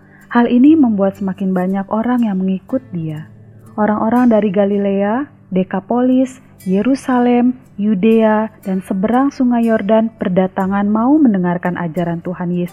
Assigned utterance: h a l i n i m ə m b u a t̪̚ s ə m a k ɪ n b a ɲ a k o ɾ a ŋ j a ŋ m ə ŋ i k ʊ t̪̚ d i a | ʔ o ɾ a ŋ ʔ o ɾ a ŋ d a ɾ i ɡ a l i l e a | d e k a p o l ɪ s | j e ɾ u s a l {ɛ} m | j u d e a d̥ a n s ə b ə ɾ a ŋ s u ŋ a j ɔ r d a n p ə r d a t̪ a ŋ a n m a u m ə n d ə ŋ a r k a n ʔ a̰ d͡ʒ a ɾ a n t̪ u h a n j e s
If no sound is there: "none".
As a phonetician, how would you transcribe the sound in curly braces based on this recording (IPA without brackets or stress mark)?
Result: ɛ